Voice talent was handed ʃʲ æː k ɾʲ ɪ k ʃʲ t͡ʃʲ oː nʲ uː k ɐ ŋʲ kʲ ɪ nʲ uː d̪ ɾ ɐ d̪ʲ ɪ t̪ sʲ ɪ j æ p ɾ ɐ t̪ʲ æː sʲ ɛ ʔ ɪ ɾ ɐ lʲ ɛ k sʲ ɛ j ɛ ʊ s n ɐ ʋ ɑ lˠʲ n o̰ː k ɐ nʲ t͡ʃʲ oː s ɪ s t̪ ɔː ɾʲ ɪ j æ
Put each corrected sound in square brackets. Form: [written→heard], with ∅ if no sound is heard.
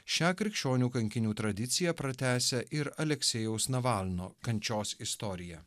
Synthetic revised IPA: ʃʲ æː k ɾʲ ɪ k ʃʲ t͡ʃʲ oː nʲ uː k ɐ ŋʲ kʲ ɪ nʲ uː [d̪→t̪] ɾ ɐ d̪ʲ ɪ t̪ sʲ ɪ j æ p ɾ ɐ t̪ʲ æː sʲ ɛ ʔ ɪ ɾ ɐ lʲ ɛ k sʲ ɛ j ɛ ʊ s n ɐ ʋ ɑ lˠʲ n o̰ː k ɐ nʲ t͡ʃʲ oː s ɪ s t̪ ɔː ɾʲ ɪ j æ